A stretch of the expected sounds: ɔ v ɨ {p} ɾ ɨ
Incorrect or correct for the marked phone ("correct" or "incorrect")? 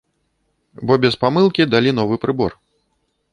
correct